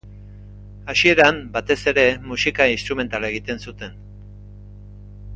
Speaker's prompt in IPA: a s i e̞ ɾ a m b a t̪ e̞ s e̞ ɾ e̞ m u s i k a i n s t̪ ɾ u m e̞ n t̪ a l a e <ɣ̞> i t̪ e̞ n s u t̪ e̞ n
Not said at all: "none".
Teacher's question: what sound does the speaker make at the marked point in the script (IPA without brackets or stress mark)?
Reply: ɣ̞